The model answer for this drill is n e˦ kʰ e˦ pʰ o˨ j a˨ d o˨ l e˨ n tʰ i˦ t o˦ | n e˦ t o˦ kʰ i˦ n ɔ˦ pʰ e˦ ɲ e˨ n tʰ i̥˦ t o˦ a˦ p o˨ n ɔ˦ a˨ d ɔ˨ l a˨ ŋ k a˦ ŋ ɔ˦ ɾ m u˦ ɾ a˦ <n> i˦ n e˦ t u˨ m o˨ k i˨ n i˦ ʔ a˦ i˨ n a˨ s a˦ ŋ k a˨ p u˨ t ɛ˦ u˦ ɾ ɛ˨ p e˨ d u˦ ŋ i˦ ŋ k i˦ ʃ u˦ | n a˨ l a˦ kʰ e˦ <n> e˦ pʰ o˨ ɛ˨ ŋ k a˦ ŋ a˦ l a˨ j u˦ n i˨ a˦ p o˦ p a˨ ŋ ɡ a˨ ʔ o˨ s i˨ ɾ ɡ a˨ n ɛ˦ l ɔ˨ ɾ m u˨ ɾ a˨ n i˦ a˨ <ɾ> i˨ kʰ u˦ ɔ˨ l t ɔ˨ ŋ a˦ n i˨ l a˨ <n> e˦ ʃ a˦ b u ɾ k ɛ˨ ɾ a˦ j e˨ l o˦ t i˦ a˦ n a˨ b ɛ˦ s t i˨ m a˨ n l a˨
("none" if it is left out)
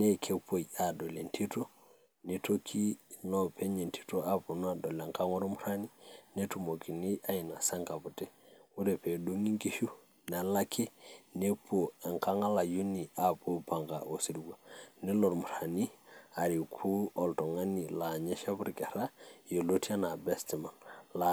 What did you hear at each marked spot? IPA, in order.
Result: n, n, ɾ, ɲ

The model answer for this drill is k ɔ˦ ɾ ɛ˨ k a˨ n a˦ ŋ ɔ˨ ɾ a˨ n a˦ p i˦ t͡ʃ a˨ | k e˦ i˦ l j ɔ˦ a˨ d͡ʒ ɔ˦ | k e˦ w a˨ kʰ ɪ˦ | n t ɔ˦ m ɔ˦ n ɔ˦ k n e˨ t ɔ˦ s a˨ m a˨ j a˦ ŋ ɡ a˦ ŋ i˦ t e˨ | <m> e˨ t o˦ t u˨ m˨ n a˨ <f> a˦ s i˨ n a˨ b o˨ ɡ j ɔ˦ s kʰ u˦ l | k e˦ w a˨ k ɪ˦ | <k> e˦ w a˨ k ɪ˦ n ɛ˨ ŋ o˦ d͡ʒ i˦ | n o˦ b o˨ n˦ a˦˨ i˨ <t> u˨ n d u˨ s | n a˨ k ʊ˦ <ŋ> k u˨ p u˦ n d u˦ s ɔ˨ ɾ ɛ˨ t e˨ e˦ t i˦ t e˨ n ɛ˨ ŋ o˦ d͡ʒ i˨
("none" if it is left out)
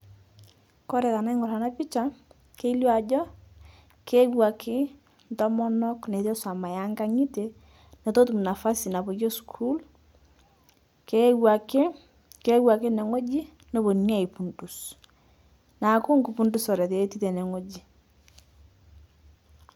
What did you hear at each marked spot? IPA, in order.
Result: n, f, k, p, ŋ

